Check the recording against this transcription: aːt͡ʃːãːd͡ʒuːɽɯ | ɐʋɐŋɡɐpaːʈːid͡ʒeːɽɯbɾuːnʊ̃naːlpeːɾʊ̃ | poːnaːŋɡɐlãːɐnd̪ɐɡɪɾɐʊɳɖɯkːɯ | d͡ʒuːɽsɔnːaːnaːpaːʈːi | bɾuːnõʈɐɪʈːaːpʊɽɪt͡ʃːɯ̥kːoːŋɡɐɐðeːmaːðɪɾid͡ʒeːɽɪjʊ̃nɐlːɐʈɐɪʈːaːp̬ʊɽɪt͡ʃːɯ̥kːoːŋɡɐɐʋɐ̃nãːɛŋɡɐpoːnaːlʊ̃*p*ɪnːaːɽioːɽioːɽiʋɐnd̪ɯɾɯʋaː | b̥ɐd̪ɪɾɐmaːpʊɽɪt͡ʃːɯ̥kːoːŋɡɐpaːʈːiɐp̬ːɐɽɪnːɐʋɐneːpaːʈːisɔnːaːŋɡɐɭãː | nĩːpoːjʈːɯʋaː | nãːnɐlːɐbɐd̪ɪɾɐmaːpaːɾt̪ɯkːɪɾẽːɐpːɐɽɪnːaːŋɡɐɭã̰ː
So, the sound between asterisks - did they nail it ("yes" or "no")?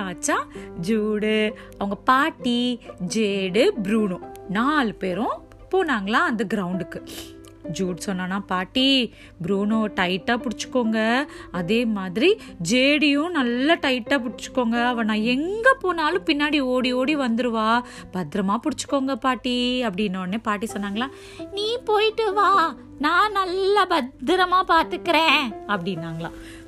yes